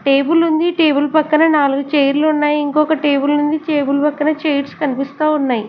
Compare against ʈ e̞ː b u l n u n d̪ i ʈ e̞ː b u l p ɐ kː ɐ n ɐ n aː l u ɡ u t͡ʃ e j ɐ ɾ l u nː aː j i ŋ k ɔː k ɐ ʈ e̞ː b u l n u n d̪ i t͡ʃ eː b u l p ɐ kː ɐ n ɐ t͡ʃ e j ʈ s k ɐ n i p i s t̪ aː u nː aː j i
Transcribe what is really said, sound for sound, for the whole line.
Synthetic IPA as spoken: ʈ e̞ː b u l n u n d̪ i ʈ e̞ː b u l p ɐ kː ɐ n ɐ n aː l u ɡ u t͡ʃ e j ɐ ɾ l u nː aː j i ŋ k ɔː k ɐ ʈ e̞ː b u l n u n d̪ i t͡ʃ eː b u l p ɐ kː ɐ n ɐ t͡ʃ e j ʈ s k ɐ n i p i s t̪ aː u nː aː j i